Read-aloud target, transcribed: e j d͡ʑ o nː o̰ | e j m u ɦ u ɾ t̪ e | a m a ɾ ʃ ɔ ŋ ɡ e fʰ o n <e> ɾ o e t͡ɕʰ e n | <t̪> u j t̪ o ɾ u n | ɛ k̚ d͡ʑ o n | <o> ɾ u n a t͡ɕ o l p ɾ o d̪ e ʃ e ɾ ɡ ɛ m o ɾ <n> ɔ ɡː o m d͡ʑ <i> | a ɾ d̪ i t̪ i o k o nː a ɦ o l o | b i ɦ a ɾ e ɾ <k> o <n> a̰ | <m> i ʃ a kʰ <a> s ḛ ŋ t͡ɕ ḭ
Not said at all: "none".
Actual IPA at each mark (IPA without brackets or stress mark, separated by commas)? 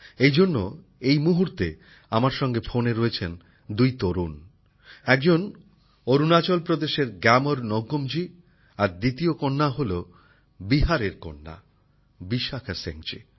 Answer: e, d̪, o, n, i, k, nː, b, a